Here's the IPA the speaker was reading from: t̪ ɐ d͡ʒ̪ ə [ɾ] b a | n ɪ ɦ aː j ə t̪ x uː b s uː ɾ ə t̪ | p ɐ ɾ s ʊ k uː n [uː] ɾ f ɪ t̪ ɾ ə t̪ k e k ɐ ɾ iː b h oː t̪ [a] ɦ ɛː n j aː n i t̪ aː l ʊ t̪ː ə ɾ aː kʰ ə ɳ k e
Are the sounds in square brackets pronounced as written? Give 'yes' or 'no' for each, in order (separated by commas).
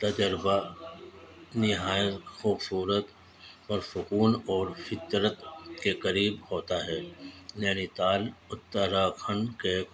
yes, no, yes